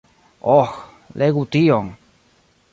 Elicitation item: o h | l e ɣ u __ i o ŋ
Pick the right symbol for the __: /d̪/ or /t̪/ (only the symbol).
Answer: t̪